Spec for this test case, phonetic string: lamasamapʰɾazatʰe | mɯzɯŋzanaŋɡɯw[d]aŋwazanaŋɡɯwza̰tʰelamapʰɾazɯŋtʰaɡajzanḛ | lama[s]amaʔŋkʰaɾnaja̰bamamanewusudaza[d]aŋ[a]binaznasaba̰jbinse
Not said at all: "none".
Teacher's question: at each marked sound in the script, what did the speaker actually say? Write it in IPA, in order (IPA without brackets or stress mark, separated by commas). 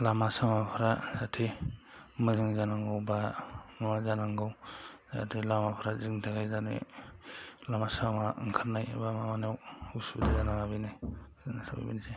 b, s, n, a